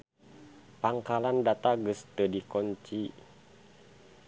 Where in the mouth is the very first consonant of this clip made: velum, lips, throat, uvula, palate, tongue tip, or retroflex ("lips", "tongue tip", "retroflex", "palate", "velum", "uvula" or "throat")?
lips